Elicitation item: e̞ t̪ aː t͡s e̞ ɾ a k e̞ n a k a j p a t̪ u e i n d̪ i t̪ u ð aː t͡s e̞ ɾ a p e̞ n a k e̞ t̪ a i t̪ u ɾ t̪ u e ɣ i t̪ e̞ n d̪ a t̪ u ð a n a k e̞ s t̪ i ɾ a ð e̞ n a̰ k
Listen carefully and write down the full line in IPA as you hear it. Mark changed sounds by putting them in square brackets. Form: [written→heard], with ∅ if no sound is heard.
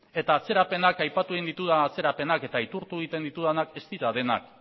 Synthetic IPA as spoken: e̞ t̪ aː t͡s e̞ ɾ a [k→p] e̞ n a k a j p a t̪ u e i n d̪ i t̪ u ð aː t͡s e̞ ɾ a p e̞ n a k e̞ t̪ a i t̪ u ɾ t̪ u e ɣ i t̪ e̞ n d̪ [a→i] t̪ u ð a n a k e̞ s t̪ i ɾ a ð e̞ n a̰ k